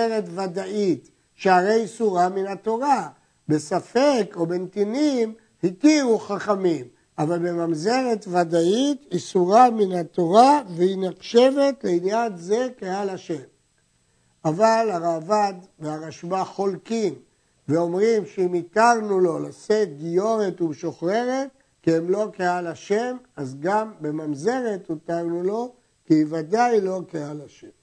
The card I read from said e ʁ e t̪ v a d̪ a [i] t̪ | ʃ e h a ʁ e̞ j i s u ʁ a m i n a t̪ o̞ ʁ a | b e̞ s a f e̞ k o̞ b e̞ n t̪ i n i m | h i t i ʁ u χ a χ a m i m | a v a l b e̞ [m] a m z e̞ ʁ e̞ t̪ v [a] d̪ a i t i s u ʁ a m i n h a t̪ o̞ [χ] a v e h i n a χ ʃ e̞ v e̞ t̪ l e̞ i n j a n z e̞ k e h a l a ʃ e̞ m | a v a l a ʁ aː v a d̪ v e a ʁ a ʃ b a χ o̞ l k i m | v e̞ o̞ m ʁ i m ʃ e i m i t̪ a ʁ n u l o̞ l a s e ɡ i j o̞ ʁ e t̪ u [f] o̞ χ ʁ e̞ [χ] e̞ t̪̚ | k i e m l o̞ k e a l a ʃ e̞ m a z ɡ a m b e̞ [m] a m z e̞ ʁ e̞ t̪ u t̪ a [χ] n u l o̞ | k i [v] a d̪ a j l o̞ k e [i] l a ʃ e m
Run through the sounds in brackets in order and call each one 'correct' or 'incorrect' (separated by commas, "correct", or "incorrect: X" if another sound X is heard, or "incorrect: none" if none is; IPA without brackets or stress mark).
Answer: correct, correct, correct, incorrect: ʁ, incorrect: ʃ, incorrect: ʁ, correct, incorrect: ʁ, correct, incorrect: a